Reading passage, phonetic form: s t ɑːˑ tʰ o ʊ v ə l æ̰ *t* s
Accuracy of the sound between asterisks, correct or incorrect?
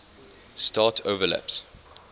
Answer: incorrect